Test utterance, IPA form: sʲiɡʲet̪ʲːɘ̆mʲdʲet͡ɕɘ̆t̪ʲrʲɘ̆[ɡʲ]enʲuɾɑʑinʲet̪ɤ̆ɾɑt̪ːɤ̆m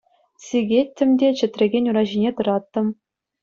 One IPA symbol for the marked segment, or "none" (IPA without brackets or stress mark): ɡʲ